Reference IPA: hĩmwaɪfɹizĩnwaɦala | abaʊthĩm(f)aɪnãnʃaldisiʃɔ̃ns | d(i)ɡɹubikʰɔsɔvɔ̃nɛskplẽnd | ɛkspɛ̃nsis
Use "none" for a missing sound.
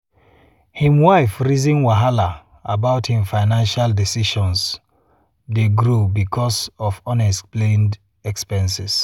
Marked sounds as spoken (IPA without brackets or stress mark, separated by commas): f, e